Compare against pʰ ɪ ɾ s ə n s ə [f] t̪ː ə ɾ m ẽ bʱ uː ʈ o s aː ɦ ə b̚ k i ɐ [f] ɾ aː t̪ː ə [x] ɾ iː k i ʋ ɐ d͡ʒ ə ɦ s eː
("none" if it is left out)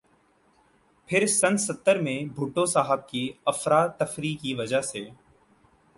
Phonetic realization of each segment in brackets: none, f, f

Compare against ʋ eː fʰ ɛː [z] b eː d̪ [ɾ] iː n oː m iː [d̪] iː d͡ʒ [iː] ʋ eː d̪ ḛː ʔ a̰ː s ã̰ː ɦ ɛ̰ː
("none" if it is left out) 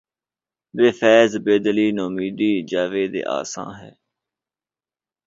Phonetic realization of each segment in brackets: z, l, d̪, aː

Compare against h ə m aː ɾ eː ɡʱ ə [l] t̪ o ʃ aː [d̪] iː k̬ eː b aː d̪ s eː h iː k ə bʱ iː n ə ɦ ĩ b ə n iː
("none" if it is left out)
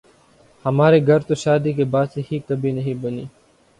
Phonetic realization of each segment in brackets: ɾ, d̪

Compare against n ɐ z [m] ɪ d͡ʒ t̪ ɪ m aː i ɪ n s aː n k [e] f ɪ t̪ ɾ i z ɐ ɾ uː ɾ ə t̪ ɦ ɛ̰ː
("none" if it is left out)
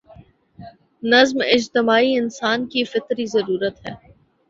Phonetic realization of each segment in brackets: m, i

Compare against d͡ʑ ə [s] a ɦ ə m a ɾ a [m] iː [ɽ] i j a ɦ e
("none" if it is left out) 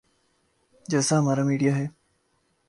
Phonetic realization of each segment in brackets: s, m, ɽ

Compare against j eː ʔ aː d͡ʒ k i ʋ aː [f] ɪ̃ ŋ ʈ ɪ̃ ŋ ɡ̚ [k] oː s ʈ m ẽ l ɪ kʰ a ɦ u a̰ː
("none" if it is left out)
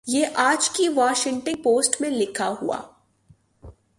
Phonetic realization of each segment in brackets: ʃ, p

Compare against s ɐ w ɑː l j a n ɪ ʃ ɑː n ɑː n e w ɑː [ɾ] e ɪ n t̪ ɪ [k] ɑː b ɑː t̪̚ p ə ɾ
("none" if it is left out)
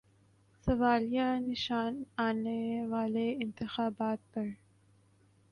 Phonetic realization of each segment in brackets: l, x

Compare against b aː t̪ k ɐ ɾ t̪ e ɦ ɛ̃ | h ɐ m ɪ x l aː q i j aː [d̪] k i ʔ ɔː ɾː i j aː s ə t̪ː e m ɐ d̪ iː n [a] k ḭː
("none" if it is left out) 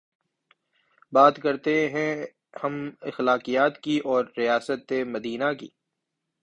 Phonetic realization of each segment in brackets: t̪, a

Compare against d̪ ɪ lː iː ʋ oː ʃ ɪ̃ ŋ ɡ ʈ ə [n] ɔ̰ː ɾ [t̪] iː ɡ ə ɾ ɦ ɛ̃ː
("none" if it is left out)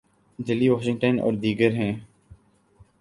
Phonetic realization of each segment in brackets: n, d̪

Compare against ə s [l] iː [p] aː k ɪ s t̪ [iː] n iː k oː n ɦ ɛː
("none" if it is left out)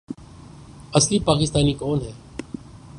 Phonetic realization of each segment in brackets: l, p, aː

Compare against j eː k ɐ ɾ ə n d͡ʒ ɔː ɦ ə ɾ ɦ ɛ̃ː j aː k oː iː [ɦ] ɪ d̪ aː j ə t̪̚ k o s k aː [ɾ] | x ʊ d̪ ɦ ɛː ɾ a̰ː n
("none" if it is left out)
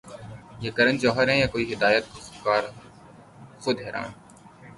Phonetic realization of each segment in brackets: ɦ, ɾ

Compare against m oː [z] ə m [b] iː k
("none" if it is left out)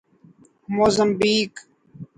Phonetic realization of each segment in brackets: z, b

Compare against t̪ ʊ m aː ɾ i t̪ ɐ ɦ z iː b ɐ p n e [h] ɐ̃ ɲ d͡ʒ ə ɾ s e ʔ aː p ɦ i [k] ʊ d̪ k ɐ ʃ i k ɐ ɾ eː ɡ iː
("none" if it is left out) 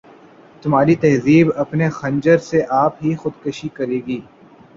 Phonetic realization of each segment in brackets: x, x

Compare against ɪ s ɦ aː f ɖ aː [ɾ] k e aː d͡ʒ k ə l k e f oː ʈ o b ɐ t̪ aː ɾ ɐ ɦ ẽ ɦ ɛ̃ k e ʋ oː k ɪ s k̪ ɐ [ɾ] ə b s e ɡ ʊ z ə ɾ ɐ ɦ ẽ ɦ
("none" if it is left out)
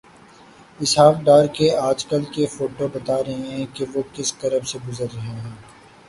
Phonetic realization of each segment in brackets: ɾ, ɾ

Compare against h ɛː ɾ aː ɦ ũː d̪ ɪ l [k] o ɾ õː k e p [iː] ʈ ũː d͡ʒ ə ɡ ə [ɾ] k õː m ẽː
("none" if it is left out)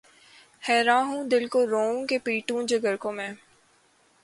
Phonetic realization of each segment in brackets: k, iː, ɾ

